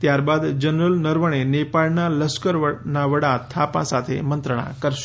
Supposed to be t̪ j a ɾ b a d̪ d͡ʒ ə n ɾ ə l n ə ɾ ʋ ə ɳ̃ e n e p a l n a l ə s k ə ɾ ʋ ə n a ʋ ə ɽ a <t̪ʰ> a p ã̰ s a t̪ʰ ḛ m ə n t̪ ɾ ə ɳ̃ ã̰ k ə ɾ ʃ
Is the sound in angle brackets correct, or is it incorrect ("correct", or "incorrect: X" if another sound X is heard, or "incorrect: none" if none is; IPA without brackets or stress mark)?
correct